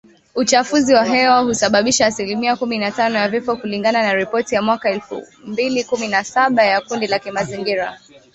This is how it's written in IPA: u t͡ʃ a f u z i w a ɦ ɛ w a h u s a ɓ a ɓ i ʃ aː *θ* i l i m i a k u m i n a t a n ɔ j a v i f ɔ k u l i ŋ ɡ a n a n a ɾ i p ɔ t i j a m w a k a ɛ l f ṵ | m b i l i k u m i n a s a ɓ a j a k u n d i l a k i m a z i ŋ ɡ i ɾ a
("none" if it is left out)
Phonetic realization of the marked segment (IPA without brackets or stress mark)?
s